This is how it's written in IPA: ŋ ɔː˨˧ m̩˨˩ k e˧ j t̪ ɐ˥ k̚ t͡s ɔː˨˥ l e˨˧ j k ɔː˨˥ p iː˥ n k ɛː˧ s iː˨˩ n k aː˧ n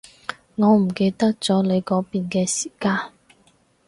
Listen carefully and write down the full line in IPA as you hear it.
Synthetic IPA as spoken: ŋ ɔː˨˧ m̩˨˩ k e˧ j t̪ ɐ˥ k̚ t͡s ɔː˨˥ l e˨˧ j k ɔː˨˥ p iː˨ n k ɛː˧ s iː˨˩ k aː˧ n